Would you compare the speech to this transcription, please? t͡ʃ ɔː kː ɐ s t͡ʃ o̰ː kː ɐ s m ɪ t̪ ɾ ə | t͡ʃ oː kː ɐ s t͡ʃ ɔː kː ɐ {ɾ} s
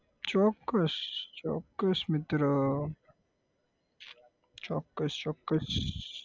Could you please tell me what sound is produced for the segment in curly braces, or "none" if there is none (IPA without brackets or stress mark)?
none